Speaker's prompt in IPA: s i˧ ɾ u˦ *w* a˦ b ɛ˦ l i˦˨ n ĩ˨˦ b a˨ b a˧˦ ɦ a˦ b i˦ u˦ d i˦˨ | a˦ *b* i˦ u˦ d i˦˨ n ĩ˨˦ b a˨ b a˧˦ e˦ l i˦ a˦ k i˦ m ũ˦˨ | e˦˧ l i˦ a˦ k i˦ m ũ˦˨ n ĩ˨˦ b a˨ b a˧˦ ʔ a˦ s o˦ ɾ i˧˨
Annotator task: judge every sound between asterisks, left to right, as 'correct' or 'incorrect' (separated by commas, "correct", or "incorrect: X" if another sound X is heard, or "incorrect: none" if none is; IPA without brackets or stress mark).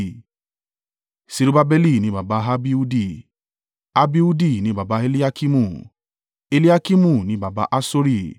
incorrect: b, correct